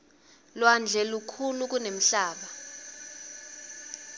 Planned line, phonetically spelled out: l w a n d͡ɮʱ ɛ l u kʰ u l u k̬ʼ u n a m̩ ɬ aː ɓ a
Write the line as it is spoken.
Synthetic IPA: l w a n d͡ɮʱ ɛ l u kʰ u l u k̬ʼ u n e m̩ ɬ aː ɓ a